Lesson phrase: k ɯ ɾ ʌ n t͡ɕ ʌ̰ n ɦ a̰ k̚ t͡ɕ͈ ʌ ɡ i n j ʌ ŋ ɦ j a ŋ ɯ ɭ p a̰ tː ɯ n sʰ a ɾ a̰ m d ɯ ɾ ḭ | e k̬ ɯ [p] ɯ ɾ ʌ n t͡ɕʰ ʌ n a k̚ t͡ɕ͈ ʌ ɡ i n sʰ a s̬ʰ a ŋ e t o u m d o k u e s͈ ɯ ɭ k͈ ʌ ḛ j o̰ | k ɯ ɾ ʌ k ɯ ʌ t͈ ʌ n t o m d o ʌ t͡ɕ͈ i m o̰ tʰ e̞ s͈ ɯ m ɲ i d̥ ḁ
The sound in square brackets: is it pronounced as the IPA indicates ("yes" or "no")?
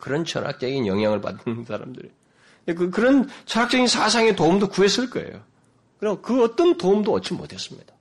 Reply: no